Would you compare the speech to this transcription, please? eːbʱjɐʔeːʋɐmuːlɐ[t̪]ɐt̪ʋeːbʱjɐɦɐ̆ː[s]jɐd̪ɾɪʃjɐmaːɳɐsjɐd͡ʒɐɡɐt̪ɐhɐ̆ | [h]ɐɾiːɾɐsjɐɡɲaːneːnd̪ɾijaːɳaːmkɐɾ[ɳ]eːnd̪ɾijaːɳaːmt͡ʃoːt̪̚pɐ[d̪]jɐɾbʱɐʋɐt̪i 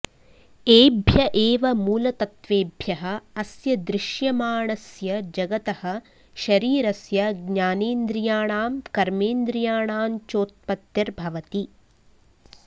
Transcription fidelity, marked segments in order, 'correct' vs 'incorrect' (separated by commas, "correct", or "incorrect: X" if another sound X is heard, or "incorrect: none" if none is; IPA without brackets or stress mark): correct, correct, incorrect: ʃ, incorrect: m, incorrect: t̪